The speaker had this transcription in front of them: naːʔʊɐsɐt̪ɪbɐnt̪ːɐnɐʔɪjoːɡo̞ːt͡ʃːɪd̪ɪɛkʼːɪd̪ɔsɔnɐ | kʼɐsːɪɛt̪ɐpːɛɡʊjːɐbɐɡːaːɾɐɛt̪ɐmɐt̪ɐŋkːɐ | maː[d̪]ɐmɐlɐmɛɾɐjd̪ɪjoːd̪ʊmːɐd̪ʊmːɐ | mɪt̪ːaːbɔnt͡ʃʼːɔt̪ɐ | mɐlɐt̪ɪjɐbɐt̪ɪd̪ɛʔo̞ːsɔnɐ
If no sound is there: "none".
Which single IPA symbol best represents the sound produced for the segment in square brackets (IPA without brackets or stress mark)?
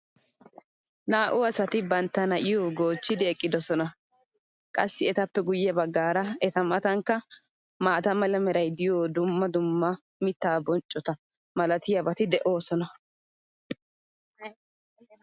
t̪